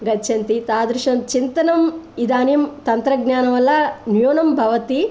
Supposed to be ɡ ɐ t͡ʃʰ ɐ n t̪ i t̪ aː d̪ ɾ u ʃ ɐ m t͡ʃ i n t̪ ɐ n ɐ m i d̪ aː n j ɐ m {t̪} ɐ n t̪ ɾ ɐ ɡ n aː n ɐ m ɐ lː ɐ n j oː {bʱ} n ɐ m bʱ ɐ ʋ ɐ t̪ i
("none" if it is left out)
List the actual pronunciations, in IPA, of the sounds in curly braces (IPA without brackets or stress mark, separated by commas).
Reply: t̪, none